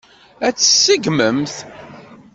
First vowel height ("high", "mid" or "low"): low